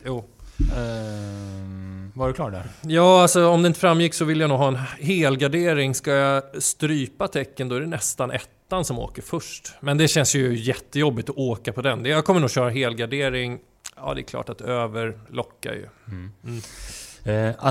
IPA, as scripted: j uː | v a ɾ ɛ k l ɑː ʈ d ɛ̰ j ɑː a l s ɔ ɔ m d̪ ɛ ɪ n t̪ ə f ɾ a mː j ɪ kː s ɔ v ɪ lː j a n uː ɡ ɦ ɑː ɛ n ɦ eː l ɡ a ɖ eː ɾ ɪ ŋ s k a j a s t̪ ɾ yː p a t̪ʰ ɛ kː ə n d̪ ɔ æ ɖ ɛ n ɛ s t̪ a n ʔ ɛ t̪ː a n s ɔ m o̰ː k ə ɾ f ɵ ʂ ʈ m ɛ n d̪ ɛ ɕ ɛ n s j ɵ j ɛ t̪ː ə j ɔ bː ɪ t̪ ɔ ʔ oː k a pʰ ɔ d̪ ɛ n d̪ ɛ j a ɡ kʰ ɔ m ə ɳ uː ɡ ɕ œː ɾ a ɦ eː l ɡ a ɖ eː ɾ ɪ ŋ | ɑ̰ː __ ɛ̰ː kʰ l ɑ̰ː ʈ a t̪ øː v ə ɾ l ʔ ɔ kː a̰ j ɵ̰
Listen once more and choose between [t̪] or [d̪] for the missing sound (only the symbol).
d̪